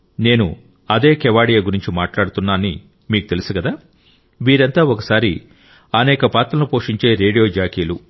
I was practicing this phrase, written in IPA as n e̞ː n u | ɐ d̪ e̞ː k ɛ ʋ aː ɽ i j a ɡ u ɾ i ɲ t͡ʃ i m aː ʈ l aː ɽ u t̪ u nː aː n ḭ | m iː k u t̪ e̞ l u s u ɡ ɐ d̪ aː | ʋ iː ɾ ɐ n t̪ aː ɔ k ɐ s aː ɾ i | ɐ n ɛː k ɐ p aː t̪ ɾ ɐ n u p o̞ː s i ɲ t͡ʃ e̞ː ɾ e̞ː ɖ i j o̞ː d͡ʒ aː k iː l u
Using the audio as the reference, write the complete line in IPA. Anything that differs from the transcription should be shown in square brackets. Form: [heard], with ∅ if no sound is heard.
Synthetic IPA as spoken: n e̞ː n u | ɐ d̪ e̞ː k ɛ ʋ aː ɽ i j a ɡ u ɾ i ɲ t͡ʃ i m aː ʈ l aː ɽ u t̪ u nː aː n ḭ | m iː k u t̪ e̞ l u s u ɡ ɐ d̪ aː | ʋ iː ɾ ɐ n t̪ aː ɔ k ɐ s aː ɾ i | ɐ n ɛː k ɐ p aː t̪ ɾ ɐ n u p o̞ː [ʂ] i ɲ t͡ʃ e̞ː ɾ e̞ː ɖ i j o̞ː d͡ʒ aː k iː l u